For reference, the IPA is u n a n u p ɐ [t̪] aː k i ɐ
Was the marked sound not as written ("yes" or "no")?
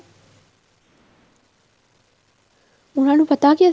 no